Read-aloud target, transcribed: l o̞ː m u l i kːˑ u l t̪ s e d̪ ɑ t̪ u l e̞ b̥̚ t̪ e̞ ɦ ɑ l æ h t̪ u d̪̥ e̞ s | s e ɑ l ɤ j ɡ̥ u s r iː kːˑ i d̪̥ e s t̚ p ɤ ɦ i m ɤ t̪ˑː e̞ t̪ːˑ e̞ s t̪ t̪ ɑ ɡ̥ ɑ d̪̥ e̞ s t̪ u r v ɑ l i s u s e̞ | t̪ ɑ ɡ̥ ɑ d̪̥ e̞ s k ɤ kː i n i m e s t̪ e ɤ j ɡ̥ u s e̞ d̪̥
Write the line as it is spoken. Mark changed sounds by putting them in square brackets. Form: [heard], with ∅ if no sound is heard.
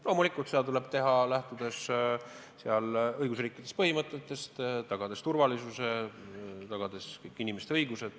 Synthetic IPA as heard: l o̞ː m u l i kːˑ u l t̪ s e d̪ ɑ t̪ u l e̞ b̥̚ t̪ e̞ ɦ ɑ l æ h t̪ u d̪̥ e̞ s | s e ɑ l ɤ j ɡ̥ u s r iː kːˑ i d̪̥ e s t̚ p ɤ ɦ i m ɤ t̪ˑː e̞ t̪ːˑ e̞ s t̪ t̪ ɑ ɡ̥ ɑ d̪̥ e̞ s t̪ u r v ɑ l i s u s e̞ | t̪ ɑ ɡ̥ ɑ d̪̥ e̞ s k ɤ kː i n i m e s t̪ e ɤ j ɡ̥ u s e̞ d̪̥